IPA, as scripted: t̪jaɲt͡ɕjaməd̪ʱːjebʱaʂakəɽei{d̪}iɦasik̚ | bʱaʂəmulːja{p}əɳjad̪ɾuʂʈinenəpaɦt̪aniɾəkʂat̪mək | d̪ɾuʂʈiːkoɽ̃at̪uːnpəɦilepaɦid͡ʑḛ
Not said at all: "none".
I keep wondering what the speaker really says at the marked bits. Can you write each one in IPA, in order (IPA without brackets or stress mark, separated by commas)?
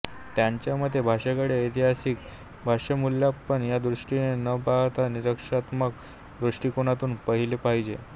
t̪, p